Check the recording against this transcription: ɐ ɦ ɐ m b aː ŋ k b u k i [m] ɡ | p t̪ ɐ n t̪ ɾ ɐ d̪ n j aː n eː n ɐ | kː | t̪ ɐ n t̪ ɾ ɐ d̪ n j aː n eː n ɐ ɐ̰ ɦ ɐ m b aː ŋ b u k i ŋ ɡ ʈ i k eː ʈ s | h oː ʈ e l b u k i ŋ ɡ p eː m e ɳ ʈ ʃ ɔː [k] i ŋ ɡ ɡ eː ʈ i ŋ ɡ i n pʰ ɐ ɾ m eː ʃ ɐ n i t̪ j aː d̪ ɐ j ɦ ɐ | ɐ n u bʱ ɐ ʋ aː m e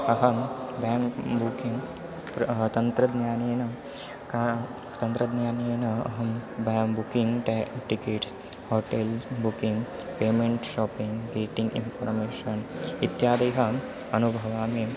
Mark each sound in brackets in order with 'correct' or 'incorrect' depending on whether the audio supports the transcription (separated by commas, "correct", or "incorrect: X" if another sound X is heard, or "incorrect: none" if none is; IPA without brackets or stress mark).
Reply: incorrect: ŋ, incorrect: p